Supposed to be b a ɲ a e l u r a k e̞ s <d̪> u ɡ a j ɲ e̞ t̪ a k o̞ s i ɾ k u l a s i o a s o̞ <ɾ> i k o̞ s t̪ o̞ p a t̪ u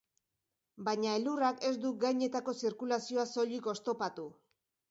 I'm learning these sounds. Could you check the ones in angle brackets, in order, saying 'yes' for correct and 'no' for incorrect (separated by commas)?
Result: yes, no